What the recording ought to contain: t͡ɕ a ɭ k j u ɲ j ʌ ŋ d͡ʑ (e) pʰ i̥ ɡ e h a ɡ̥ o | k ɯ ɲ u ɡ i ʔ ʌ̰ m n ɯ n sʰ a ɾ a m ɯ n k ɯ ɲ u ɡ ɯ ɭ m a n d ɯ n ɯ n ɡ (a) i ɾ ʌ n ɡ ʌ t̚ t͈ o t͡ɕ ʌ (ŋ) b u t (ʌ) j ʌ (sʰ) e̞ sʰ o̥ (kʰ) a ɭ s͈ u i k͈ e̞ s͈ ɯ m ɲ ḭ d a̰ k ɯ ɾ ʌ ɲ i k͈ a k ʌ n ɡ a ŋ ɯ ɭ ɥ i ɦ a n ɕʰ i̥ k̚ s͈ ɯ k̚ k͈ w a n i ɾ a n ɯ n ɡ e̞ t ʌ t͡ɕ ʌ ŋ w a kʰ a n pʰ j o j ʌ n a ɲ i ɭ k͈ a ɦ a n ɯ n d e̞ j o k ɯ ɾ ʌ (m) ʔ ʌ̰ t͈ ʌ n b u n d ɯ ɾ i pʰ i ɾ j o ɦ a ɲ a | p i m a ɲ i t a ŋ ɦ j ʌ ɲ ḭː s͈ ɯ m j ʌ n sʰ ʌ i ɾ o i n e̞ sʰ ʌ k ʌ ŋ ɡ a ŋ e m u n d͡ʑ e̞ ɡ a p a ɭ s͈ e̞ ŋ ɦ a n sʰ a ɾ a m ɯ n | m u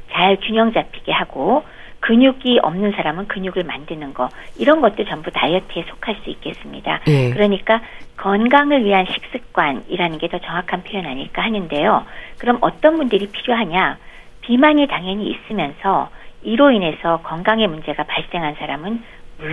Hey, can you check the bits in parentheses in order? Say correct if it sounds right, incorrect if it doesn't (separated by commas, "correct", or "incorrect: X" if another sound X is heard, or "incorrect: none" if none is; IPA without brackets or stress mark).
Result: incorrect: a, incorrect: ʌ, incorrect: m, incorrect: a, incorrect: tʰ, correct, correct